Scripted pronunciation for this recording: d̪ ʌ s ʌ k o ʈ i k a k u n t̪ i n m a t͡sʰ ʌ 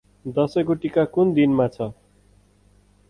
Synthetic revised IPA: d̪ ʌ s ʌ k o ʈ i k a k u n d̪ i n m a t͡sʰ ʌ